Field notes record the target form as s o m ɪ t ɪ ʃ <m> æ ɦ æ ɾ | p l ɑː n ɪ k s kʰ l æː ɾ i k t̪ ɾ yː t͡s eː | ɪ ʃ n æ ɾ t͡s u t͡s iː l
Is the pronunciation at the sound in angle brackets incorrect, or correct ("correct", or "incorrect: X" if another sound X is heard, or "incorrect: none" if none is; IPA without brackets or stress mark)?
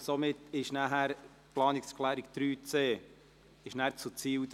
incorrect: n